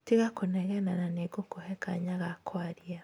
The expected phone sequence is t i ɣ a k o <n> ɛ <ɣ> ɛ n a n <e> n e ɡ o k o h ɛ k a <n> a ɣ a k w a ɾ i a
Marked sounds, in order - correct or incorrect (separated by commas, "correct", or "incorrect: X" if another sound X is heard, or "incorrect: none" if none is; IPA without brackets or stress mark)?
correct, correct, incorrect: a, incorrect: ɲ